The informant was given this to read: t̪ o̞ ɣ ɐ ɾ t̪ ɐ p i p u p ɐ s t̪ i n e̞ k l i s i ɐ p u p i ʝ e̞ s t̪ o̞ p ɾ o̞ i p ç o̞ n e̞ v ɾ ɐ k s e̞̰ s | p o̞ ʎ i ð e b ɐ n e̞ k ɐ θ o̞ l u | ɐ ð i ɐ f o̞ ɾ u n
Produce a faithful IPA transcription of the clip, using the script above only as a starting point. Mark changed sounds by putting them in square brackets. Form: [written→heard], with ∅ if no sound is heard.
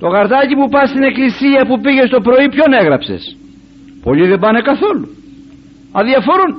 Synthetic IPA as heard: t̪ o̞ ɣ ɐ ɾ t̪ ɐ [p→c] i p u p ɐ s t̪ i n e̞ k l i s i ɐ p u p i ʝ e̞ s t̪ o̞ p ɾ o̞ i p ç o̞ n e̞ [v→ɣ] ɾ ɐ [k→p] s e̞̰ s | p o̞ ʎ i ð e b ɐ n e̞ k ɐ θ o̞ l u | ɐ ð i ɐ f o̞ ɾ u n